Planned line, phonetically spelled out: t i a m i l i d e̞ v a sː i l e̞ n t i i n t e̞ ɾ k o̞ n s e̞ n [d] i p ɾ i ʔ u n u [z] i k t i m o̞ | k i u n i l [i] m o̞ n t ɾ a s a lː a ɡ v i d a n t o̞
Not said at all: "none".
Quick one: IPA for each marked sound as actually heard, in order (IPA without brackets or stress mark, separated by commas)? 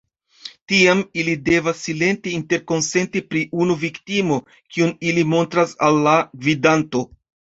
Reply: t, v, i